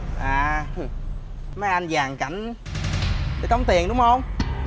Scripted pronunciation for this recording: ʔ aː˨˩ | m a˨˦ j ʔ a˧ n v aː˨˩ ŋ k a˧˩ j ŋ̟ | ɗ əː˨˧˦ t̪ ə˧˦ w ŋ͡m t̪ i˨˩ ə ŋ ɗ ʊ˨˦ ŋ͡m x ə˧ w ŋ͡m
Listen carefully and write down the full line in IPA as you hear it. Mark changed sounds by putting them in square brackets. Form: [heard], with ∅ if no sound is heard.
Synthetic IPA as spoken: ʔ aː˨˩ | m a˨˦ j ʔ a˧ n [z] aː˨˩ ŋ k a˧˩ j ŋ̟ | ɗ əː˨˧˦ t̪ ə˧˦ w ŋ͡m t̪ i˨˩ ə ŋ ɗ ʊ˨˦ ŋ͡m [h] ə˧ w ŋ͡m

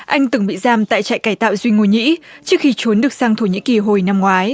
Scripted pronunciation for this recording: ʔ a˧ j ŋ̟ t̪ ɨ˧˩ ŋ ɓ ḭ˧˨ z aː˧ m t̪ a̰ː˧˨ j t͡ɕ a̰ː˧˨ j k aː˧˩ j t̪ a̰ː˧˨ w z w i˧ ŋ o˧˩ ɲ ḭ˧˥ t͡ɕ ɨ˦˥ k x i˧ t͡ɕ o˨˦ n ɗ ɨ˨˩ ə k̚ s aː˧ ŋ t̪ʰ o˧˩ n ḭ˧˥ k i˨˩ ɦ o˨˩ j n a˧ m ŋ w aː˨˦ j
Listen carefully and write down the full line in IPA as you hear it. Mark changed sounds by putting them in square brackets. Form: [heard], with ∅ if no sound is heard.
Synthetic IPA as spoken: ʔ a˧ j ŋ̟ t̪ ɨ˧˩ ŋ ɓ ḭ˧˨ z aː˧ m t̪ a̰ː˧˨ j t͡ɕ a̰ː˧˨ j k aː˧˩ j t̪ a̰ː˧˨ w z w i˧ ŋ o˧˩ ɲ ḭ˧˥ t͡ɕ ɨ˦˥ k x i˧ t͡ɕ o˨˦ n ɗ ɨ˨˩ ə k̚ s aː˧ ŋ t̪ʰ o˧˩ [ɲ] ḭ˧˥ k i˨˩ ɦ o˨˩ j n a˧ m ŋ w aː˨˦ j

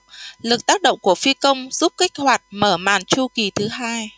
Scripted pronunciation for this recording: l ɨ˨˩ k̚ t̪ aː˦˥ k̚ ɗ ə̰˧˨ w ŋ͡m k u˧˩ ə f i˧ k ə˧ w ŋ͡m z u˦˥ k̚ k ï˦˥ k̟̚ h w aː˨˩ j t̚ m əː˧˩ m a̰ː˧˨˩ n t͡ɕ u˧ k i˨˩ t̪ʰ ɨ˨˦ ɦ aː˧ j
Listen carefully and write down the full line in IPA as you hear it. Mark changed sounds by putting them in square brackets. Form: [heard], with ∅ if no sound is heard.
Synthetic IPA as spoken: l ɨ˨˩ k̚ t̪ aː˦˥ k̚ ɗ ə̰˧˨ w ŋ͡m k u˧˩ ə f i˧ k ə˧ w ŋ͡m z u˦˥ [p̚] k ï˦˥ k̟̚ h w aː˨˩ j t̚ m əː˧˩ m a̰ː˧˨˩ n t͡ɕ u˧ k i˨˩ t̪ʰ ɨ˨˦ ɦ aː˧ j

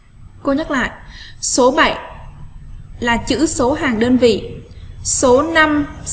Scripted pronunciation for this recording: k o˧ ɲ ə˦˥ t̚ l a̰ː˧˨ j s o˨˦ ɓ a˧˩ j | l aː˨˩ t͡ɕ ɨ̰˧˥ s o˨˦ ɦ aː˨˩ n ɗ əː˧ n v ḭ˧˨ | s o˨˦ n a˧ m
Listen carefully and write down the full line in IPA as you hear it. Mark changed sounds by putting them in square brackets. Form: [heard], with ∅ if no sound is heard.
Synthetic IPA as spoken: k o˧ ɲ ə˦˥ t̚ l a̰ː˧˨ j s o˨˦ ɓ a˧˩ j | l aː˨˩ t͡ɕ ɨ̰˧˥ s o˨˦ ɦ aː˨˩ [ŋ] ɗ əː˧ n v ḭ˧˨ | s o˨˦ n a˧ m

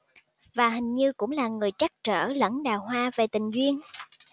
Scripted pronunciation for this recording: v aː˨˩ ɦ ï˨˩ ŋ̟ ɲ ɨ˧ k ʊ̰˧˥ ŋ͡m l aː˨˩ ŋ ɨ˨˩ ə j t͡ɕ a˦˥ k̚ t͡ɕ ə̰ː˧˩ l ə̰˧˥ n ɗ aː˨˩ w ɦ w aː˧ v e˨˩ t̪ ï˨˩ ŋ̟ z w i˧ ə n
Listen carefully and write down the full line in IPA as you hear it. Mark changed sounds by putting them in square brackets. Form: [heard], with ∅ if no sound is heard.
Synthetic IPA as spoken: v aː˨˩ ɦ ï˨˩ ŋ̟ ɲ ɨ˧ k ʊ̰˧˥ ŋ͡m l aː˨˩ ŋ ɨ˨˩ ə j t͡ɕ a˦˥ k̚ t͡ɕ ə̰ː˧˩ l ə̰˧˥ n ɗ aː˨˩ w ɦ w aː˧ v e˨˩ t̪ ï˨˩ ŋ̟ z w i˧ ə n

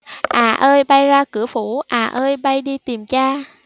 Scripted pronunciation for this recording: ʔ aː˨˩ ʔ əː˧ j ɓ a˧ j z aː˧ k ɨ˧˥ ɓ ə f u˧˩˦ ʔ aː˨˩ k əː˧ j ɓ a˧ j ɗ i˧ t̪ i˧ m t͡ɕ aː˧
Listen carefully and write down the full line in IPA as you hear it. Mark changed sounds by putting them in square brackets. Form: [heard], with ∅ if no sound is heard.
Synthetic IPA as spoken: ʔ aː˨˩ ʔ əː˧ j ɓ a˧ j z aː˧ k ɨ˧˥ [∅] ə f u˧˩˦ ʔ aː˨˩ [ʔ] əː˧ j ɓ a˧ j ɗ i˧ t̪ [i˨˩] m t͡ɕ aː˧

